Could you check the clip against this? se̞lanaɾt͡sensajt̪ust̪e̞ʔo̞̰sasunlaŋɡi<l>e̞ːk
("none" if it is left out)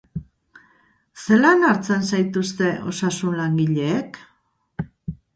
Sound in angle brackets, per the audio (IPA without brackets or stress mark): ʎ